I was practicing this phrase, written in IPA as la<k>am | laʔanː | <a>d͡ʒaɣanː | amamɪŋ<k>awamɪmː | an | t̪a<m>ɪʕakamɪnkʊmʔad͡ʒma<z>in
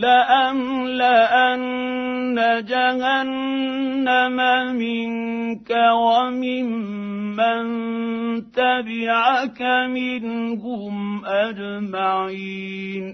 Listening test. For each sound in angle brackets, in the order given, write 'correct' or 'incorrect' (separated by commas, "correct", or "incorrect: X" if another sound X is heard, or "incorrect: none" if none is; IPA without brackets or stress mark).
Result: incorrect: ʔ, correct, correct, incorrect: b, incorrect: ʕ